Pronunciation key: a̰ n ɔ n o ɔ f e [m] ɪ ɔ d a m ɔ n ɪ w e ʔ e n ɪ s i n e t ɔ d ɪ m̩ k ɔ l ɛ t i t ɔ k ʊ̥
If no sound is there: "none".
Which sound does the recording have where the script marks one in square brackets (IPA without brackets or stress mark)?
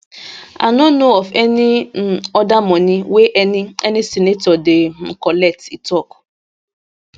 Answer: n